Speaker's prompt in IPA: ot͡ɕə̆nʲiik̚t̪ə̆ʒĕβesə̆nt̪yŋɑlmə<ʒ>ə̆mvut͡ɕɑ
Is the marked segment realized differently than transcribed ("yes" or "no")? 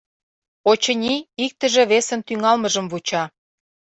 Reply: no